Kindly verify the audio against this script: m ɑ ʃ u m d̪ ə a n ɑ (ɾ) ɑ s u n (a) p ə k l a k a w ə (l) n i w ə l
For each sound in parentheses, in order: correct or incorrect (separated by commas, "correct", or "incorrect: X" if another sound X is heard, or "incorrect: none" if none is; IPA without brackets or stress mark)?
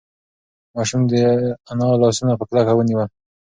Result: incorrect: l, correct, incorrect: none